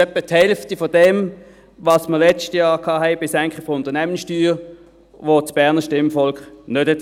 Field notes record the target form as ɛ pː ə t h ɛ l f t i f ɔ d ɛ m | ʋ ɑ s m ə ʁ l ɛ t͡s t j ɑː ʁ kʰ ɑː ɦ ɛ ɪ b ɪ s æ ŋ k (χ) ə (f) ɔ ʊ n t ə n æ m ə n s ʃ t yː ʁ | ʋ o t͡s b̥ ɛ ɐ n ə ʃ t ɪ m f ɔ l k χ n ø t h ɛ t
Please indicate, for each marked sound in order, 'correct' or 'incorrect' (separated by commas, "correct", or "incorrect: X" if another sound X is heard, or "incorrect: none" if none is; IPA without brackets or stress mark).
correct, correct